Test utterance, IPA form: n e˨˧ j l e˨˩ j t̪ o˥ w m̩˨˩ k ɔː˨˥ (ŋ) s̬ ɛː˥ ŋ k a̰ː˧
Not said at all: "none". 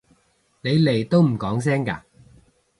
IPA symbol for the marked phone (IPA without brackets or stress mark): ŋ